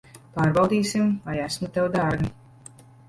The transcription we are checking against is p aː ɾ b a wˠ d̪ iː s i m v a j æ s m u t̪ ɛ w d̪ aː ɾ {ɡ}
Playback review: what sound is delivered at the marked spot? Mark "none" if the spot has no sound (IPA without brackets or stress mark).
ɡ